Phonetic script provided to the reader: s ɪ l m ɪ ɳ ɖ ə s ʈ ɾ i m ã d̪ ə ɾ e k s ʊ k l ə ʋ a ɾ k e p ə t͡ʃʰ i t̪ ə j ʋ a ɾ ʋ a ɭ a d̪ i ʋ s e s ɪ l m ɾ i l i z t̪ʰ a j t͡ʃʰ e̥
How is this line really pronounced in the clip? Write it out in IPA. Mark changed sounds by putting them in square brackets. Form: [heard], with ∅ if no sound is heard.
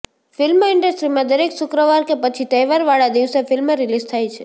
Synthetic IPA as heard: [f] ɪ l m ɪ ɳ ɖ ə s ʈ ɾ i m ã d̪ ə ɾ e k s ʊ k [ɾ] ə ʋ a ɾ k e p ə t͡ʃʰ i t̪ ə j ʋ a ɾ ʋ a ɭ a d̪ i ʋ s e [f] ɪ l m ɾ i l i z t̪ʰ a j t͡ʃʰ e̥